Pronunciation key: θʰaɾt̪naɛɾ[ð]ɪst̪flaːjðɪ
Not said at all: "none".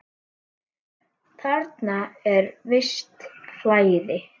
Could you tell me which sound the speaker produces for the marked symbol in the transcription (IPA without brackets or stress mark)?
v